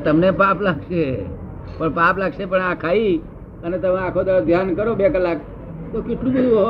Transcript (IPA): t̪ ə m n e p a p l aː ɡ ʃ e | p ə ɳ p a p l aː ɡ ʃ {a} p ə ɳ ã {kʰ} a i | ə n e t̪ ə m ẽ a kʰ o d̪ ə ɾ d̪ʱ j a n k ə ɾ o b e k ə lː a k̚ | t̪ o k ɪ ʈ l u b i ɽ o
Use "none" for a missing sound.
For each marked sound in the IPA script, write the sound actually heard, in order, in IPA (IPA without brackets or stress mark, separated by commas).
e, kʰ